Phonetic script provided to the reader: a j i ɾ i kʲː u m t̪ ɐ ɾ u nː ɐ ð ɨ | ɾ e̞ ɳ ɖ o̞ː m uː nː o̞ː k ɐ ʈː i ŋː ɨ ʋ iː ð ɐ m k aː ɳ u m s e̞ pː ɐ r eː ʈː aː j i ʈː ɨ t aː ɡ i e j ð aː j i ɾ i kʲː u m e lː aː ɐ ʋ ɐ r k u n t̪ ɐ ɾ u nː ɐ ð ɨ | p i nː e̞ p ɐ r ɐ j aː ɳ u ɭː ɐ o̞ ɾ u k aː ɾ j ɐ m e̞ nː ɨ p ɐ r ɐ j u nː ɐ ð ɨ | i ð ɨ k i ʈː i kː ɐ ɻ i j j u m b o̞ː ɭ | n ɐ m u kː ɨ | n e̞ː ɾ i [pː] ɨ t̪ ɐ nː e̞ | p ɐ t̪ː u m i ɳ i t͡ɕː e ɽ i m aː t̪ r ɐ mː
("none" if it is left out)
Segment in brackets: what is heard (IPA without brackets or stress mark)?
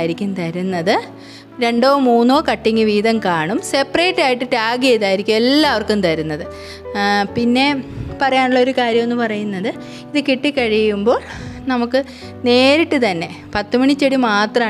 ʈː